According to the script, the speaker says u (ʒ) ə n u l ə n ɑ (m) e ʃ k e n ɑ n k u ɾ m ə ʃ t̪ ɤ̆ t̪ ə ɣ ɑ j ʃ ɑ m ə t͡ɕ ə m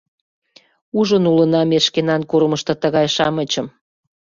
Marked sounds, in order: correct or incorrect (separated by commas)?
correct, correct